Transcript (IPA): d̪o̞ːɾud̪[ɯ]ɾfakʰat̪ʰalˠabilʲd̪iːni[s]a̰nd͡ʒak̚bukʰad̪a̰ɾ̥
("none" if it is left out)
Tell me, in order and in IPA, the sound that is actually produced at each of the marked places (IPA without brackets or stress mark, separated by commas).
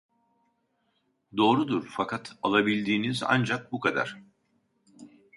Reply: u, z